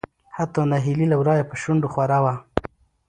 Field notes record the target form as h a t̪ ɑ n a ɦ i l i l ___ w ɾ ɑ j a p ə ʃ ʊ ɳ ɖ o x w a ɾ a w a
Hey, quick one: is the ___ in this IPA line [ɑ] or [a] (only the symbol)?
a